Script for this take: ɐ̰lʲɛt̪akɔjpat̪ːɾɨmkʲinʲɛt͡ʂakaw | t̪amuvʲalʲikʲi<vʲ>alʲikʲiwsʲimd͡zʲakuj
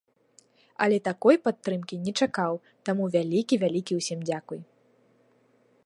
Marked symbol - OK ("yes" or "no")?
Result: yes